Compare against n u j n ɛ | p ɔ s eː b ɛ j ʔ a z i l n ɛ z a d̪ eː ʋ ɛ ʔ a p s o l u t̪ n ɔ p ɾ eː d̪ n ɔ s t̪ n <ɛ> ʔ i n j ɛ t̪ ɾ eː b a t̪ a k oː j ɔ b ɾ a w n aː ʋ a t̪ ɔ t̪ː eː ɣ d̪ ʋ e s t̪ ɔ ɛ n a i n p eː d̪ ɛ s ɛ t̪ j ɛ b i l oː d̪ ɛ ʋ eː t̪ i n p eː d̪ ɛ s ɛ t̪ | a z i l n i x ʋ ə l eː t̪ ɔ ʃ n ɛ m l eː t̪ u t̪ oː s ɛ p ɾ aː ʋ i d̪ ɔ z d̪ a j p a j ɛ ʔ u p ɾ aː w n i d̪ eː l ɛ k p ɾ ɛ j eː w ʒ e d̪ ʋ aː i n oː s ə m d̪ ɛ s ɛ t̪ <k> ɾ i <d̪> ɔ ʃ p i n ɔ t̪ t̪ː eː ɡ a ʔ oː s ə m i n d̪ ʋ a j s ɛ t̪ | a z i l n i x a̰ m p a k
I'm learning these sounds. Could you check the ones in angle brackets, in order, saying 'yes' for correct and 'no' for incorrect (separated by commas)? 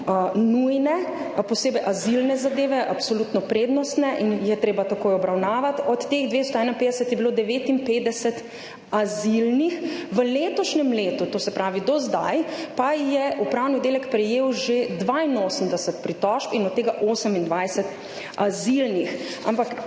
yes, no, no